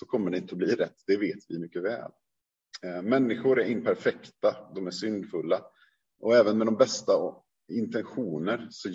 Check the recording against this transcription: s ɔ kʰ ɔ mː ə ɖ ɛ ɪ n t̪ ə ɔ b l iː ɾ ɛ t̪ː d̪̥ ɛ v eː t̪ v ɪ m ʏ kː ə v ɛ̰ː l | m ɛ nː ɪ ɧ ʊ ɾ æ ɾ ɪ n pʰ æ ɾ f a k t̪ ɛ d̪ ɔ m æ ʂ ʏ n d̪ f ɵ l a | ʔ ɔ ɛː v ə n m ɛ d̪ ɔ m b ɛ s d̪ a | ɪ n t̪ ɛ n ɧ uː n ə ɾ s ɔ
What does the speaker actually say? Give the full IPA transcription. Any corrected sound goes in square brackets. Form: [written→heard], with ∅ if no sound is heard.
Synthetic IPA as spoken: s ɔ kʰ ɔ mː ə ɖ ɛ ɪ n t̪ ə ɔ b l iː ɾ ɛ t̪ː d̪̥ ɛ v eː t̪ v ɪ m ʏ kː ə v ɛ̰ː l | m ɛ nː ɪ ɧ ʊ ɾ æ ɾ ɪ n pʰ æ ɾ f [a→ɛ] k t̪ [ɛ→a] d̪ ɔ m æ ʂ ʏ n d̪ f ɵ [l→lː] a | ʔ ɔ ɛː v ə n m ɛ d̪ ɔ m b ɛ s [d̪→t̪] a | ɪ n t̪ ɛ n ɧ uː n ə ɾ s ɔ